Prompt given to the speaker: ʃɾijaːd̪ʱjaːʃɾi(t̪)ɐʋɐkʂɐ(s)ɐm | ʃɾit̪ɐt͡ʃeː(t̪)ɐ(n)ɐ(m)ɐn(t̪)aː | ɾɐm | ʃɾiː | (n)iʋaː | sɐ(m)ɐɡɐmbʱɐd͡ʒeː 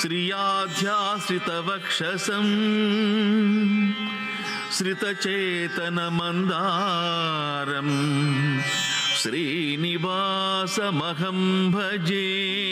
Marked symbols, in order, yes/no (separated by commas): yes, yes, yes, yes, yes, no, yes, yes